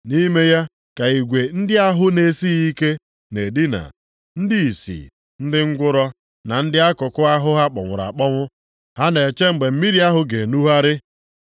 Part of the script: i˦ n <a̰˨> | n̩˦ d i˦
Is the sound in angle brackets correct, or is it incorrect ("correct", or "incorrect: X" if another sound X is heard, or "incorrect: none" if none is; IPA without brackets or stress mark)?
correct